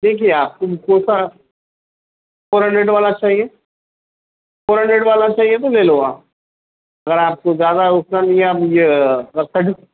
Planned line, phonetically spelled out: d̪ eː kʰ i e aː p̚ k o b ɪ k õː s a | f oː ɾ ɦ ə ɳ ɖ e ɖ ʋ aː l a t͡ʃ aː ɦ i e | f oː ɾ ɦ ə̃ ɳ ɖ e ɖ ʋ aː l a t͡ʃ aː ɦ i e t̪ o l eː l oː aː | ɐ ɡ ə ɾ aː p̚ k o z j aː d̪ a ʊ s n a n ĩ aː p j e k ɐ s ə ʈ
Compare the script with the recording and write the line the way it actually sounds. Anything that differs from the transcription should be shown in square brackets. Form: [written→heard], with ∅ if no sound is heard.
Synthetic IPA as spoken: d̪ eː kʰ i e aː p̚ k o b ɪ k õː s a | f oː ɾ ɦ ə ɳ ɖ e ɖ ʋ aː l a t͡ʃ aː ɦ i e | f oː ɾ ɦ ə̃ ɳ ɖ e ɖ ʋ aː l a t͡ʃ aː ɦ i e t̪ o l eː l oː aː | ɐ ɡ ə ɾ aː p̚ k o z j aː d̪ a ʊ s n a n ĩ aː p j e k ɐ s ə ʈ

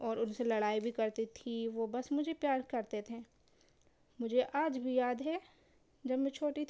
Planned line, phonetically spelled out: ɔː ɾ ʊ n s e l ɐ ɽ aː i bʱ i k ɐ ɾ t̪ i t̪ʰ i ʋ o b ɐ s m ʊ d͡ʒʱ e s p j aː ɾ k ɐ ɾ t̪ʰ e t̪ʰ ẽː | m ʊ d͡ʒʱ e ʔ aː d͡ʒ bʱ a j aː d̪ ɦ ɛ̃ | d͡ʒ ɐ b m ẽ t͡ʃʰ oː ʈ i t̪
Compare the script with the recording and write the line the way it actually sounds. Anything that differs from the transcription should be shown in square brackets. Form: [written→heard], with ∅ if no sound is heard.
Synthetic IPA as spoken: ɔː ɾ ʊ n s e l ɐ ɽ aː i bʱ i k ɐ ɾ t̪ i t̪ʰ i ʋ o b ɐ s m ʊ d͡ʒʱ e [s→∅] p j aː ɾ k ɐ ɾ [t̪ʰ→t̪] e t̪ʰ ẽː | m ʊ d͡ʒʱ e ʔ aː d͡ʒ bʱ [a→i] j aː d̪ ɦ [ɛ̃→ɛ] | d͡ʒ ɐ b m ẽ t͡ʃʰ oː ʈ i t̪

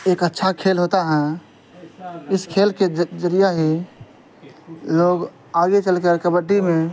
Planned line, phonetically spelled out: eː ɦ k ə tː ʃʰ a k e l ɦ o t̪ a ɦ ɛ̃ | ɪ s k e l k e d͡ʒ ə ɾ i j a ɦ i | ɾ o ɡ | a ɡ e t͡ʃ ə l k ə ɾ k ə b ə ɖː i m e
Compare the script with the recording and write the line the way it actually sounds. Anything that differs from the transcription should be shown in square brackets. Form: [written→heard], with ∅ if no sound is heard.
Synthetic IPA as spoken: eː [ɦ→∅] k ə tː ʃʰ a [k→kʰ] e l ɦ o t̪ a ɦ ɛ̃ | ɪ s [k→kʰ] e l k e d͡ʒ ə ɾ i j a ɦ i | [ɾ→l] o ɡ | a ɡ e t͡ʃ ə l k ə ɾ k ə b ə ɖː i m e

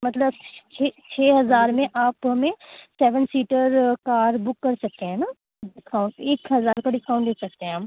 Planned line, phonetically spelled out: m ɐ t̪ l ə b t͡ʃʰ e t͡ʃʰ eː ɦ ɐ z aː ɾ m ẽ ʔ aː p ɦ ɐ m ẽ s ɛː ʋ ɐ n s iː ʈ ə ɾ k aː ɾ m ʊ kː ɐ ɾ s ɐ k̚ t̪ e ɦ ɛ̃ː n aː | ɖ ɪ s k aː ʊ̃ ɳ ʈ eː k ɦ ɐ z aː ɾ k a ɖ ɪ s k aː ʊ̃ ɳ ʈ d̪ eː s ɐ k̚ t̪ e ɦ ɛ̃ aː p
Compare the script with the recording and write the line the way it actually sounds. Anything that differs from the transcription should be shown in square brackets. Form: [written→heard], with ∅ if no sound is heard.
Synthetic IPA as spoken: m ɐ t̪ l ə b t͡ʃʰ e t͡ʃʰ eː ɦ ɐ z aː ɾ m ẽ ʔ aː p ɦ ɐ m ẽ s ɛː ʋ [ɐ→ə] n s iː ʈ ə ɾ k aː ɾ [m→b] ʊ kː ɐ ɾ s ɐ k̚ t̪ e ɦ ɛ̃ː n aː | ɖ ɪ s k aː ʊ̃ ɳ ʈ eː k ɦ ɐ z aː ɾ k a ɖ ɪ s k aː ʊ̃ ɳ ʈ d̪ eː s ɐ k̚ t̪ e ɦ ɛ̃ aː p

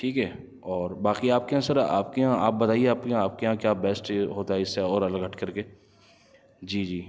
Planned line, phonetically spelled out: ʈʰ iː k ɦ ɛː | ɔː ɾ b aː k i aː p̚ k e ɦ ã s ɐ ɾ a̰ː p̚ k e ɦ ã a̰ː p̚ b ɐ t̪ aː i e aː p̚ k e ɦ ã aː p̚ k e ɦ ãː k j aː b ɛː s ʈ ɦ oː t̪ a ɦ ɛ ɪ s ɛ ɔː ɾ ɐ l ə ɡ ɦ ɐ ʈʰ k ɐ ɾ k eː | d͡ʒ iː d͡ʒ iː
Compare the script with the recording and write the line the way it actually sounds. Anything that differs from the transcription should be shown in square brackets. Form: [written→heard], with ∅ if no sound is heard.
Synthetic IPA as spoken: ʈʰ iː k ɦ ɛː | ɔː ɾ b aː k i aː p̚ k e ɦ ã s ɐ ɾ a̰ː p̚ k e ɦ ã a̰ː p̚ b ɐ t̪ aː i e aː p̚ k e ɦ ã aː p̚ k e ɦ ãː k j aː b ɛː s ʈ ɦ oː t̪ a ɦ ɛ ɪ s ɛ ɔː ɾ ɐ l ə ɡ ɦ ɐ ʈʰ k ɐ ɾ k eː | d͡ʒ iː d͡ʒ iː

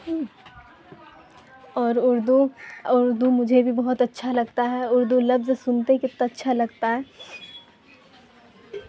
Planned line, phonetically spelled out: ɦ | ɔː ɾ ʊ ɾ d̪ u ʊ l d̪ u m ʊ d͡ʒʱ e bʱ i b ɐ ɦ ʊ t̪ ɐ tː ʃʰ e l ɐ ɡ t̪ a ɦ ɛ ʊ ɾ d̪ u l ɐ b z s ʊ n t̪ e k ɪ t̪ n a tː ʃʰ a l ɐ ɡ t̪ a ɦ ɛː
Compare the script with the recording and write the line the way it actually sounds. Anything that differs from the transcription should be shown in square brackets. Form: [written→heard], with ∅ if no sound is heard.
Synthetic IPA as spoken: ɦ | ɔː ɾ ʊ ɾ d̪ u ʊ [l→ɾ] d̪ u m ʊ d͡ʒʱ e bʱ i b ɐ ɦ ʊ t̪ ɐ tː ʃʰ [e→a] l ɐ ɡ t̪ a ɦ ɛ ʊ ɾ d̪ u l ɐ b z s ʊ n t̪ e k ɪ t̪ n a tː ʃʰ a l ɐ ɡ t̪ a ɦ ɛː

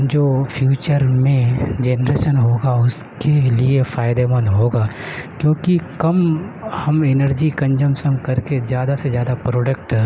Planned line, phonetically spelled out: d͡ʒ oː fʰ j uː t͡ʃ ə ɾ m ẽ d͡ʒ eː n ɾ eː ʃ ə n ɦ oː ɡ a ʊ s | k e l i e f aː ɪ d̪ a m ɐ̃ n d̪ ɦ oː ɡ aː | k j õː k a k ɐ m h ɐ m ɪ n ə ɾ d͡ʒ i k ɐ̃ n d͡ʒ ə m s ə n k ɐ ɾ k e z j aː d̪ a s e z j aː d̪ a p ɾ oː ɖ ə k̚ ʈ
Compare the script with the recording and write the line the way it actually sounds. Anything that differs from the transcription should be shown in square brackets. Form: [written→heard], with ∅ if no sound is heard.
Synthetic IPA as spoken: d͡ʒ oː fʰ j uː t͡ʃ ə ɾ m ẽ d͡ʒ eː n ɾ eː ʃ ə n ɦ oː ɡ a ʊ s | k e l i e f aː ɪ d̪ [a→e] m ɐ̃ n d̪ ɦ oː ɡ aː | k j õː k [a→i] k ɐ m h ɐ m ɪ n ə ɾ d͡ʒ i k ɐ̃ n d͡ʒ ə m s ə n k ɐ ɾ k e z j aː d̪ a s e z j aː d̪ a p ɾ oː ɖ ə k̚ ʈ

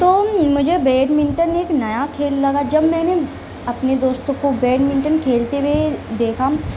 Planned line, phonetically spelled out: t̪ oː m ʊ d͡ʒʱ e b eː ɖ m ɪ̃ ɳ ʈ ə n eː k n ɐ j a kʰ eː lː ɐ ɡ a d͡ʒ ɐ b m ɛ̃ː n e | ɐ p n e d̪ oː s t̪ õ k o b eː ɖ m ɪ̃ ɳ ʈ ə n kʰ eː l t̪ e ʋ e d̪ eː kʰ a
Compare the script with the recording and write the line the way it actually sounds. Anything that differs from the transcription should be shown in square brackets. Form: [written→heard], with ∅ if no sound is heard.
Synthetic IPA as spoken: t̪ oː m ʊ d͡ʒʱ e b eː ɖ m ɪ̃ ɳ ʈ ə n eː k n ɐ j a kʰ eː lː ɐ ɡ a d͡ʒ ɐ b m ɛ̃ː n e | ɐ p n e d̪ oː s t̪ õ k o b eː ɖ m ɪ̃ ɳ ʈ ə n kʰ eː l t̪ e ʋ e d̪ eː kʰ a

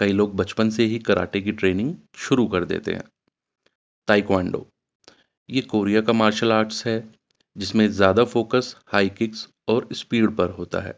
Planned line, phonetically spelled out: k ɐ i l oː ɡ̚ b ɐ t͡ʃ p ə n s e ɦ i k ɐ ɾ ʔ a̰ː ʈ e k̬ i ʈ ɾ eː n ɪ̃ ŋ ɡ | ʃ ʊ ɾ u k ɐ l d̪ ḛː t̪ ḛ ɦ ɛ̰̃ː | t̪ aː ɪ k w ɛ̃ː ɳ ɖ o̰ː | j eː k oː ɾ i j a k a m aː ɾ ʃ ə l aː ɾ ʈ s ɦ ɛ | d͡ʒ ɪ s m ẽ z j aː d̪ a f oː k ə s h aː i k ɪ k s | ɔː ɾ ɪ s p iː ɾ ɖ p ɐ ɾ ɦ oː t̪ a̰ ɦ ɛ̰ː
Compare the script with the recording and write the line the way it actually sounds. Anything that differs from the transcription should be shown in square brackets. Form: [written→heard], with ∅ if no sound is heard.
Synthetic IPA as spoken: k ɐ i l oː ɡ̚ b ɐ t͡ʃ p ə n s e ɦ i k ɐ ɾ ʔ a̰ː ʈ e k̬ i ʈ ɾ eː n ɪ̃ ŋ ɡ | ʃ ʊ ɾ u k ɐ [l→ɾ] d̪ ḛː t̪ ḛ ɦ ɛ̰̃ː | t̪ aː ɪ k w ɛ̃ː ɳ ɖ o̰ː | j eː k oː ɾ i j a k a m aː ɾ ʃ ə l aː ɾ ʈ s ɦ ɛ | d͡ʒ ɪ s m ẽ z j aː d̪ a f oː k ə s h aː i k ɪ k s | ɔː ɾ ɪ s p iː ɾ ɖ p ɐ ɾ ɦ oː t̪ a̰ ɦ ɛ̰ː

